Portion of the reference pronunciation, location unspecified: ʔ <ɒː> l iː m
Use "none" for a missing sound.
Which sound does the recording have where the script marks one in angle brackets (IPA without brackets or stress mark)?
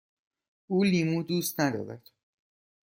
uː